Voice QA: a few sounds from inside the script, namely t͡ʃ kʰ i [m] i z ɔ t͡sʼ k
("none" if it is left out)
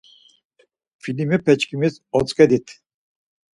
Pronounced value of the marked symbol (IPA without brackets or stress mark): m